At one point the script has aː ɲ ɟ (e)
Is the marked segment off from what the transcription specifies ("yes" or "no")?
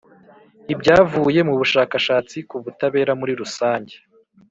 no